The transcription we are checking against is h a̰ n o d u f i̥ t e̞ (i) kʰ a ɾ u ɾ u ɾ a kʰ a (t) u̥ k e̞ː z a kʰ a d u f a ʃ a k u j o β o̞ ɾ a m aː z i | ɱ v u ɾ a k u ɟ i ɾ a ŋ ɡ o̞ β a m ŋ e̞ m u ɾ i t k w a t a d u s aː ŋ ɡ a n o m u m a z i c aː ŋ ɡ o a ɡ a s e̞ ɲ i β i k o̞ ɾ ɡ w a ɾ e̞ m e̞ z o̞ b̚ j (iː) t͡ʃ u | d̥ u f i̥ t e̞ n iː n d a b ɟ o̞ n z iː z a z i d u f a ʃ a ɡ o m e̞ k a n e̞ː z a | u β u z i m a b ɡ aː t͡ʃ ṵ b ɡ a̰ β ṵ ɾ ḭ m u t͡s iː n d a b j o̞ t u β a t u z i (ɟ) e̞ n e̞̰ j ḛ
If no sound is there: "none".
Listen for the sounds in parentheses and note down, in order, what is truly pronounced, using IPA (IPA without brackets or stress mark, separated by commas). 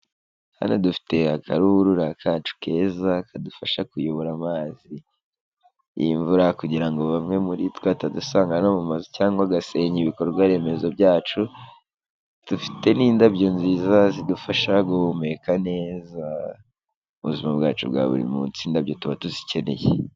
a, t͡ʃ, aː, c